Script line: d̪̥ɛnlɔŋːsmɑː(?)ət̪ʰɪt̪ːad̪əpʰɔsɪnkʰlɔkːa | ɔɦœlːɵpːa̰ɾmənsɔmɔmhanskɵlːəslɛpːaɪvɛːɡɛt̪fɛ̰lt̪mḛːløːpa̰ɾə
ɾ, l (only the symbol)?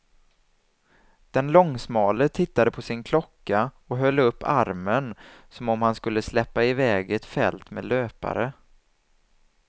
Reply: l